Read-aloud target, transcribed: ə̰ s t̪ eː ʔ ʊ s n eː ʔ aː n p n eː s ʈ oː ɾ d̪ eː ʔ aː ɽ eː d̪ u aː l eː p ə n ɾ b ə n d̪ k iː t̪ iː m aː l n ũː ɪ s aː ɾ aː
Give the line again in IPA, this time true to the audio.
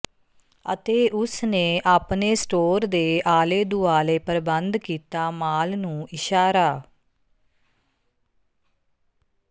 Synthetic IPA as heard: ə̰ t̪ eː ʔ ʊ s n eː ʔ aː p n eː s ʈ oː ɾ d̪ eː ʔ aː l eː d̪ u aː l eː p ə ɾ b ə n d̪ k iː t̪ aː m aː l n ũː ɪ ʃ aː ɾ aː

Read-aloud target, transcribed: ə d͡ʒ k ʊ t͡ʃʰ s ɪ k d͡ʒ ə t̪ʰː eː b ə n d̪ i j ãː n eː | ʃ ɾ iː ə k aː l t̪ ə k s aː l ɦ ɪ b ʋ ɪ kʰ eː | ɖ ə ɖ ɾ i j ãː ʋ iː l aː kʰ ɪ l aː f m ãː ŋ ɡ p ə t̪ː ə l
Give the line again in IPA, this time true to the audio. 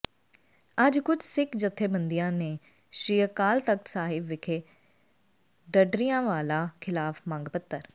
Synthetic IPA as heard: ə d͡ʒ k ʊ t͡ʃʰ s ɪ k d͡ʒ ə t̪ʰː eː b ə n d̪ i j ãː n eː | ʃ ɾ iː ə k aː l t̪ ə k s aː ɦ ɪ b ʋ ɪ kʰ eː | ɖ ə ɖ ɾ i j ãː ʋ aː l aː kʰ ɪ l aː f m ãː ŋ ɡ p ə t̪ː ə ɾ

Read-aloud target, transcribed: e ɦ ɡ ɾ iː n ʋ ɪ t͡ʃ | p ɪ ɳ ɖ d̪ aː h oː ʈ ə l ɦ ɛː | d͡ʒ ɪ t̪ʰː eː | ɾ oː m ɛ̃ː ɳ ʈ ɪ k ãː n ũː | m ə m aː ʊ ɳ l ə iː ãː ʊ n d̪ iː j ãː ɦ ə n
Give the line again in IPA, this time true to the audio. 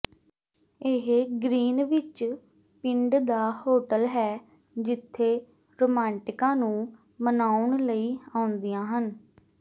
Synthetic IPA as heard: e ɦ ɡ ɾ iː n ʋ ɪ t͡ʃ | p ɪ ɳ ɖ d̪ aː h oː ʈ ə l ɦ ɛː | d͡ʒ ɪ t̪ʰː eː | ɾ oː m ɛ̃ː ɳ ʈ ɪ k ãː n ũː | m ə n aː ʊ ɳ l ə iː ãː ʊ n d̪ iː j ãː ɦ ə n

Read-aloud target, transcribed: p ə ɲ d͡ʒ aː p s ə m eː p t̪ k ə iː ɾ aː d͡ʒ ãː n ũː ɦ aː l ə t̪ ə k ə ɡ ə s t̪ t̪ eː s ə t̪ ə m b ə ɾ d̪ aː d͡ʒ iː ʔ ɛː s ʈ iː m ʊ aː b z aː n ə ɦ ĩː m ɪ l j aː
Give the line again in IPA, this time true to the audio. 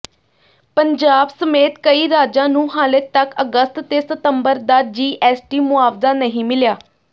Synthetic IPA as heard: p ə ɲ d͡ʒ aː b s ə m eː t̪ k ə iː ɾ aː d͡ʒ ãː n ũː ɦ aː l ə t̪ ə k ə ɡ ə s t̪ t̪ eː s ə t̪ ə m b ə ɾ d̪ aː d͡ʒ iː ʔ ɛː s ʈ iː m ʊ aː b z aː n ə ɦ ĩː m ɪ l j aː

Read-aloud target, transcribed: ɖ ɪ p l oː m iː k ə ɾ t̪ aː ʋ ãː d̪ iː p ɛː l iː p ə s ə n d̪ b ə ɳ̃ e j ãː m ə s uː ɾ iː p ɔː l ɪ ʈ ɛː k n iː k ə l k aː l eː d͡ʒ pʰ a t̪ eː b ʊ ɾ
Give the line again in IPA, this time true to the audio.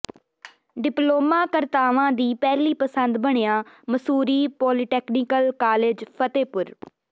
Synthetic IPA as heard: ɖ ɪ p l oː m aː k ə ɾ t̪ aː ʋ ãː d̪ iː p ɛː l iː p ə s ə n d̪ b ə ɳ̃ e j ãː m ə s uː ɾ iː p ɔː l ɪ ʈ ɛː k n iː k ə l k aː l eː d͡ʒ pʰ ə t̪ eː p ʊ ɾ

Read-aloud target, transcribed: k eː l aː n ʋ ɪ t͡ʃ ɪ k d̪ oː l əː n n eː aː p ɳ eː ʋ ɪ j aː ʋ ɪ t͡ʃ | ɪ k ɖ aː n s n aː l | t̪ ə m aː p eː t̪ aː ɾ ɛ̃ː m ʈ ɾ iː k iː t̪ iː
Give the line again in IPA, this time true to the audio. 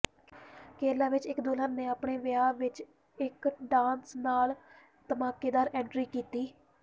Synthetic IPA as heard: k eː l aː ʋ ɪ t͡ʃ ɪ k d̪ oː l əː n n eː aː p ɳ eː ʋ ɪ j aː ʋ ɪ t͡ʃ | ɪ k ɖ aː n s n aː l | t̪ ə m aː k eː d̪ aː ɾ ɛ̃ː ɳ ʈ ɾ iː k iː t̪ iː

